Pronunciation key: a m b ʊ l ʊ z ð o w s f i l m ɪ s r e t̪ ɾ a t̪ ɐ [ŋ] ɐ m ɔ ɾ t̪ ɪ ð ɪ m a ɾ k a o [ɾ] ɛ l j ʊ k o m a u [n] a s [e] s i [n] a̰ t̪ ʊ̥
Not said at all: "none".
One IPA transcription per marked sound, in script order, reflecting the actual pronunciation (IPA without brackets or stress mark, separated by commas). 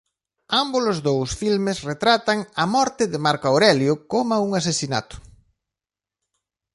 ŋ, ɾ, ŋ, e, n